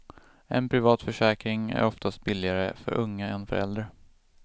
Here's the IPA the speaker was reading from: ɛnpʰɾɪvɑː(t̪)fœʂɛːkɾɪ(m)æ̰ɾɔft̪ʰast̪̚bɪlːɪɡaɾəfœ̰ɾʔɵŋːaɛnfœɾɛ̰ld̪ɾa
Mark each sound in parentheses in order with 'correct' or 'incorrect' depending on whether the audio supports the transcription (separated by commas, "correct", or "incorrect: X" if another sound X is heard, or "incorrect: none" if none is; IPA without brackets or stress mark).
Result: correct, incorrect: ŋ